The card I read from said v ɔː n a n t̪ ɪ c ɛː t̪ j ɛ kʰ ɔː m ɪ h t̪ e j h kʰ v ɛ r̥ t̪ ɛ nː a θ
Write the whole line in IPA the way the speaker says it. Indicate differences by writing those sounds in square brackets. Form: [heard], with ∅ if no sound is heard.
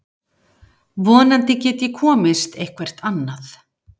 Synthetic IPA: v ɔː n a n t̪ ɪ c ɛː t̪ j ɛ kʰ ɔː m ɪ [s] t̪ e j h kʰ v ɛ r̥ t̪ [a] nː a θ